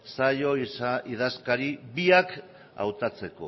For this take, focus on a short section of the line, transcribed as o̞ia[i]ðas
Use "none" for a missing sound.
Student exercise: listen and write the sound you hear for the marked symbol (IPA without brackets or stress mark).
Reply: i